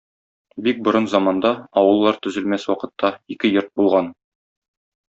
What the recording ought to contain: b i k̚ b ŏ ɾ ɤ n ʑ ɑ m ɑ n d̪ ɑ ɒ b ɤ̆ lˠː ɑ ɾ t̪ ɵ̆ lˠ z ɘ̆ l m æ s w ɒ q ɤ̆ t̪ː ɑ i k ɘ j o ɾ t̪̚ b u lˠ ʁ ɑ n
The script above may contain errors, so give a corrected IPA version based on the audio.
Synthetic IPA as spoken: b i k̚ b ŏ ɾ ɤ n z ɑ m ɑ n d̪ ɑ ɒ w ɤ̆ lˠː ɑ ɾ t̪ ɵ̆ z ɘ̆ l m æ s w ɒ q ɤ̆ t̪ː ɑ i k ɘ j o ɾ t̪̚ b u lˠ ʁ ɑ n